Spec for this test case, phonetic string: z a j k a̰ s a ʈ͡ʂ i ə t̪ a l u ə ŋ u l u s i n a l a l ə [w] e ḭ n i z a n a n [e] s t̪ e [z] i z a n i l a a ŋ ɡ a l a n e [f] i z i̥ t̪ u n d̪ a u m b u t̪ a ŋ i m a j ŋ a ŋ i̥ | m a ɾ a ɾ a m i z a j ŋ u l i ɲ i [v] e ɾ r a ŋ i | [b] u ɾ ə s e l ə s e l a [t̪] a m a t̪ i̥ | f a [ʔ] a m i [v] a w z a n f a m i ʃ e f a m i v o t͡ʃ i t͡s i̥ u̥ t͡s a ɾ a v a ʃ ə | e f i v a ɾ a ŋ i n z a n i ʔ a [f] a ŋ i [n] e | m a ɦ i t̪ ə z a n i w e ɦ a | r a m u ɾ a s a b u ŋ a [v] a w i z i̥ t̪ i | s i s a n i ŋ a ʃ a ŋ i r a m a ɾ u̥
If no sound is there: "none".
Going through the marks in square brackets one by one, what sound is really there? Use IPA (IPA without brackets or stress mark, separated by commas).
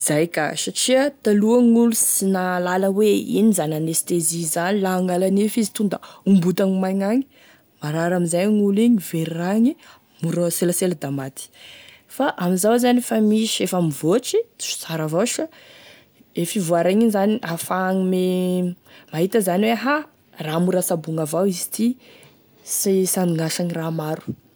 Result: w, e, z, f, v, m, d̪, ʔ, z, f, m, v